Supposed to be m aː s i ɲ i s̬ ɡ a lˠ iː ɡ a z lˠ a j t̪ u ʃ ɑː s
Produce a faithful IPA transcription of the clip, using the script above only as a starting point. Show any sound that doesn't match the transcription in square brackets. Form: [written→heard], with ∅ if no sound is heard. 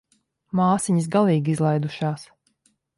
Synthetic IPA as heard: m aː s i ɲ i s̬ ɡ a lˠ iː ɡ [a→i] z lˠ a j [t̪→d̪] u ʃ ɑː s

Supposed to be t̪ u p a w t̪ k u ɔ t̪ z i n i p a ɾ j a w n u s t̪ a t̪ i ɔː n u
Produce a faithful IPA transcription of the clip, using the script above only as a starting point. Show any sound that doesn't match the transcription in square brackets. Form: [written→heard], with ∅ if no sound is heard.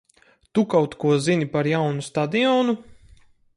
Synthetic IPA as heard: t̪ u [p→k] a w t̪ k u ɔ [t̪→∅] z i n i p a ɾ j a w n u s t̪ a [t̪→d̪] i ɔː n u

